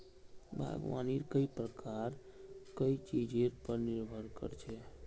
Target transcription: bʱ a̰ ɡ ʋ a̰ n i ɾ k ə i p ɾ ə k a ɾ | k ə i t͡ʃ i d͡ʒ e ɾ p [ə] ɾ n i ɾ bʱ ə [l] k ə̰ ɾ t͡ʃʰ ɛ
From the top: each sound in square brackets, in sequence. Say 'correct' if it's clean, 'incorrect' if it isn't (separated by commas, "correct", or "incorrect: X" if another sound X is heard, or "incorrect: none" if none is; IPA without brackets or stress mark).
correct, incorrect: ɾ